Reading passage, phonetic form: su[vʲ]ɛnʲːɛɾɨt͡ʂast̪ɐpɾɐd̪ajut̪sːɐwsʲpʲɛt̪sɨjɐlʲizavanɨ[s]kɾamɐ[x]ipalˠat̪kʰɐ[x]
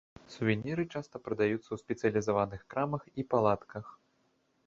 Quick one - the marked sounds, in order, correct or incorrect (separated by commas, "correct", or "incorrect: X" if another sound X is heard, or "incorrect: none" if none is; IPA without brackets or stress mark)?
correct, incorrect: x, correct, correct